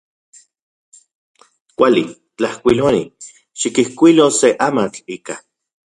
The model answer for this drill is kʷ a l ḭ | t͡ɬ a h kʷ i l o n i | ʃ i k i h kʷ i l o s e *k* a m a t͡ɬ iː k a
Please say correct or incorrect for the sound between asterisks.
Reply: incorrect